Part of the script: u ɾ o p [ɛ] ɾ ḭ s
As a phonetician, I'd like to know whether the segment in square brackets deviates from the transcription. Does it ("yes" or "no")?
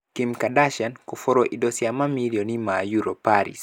yes